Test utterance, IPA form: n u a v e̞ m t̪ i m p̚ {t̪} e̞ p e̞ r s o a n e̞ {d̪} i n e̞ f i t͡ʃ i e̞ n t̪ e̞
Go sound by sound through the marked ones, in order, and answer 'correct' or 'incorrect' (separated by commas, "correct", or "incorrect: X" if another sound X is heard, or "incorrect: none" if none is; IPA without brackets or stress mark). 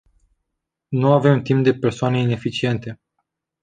incorrect: d̪, incorrect: none